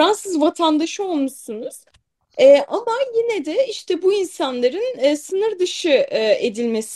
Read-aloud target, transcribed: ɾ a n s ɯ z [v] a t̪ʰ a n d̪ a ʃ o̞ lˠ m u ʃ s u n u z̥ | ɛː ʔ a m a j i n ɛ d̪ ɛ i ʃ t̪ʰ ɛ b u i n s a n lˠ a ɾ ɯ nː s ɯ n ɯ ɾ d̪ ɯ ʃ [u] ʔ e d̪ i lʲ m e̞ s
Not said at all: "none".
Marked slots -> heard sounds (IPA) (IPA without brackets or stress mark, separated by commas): v, ɯ